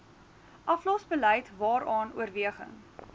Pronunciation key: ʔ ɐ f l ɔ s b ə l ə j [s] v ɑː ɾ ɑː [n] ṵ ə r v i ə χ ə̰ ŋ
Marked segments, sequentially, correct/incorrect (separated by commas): incorrect, correct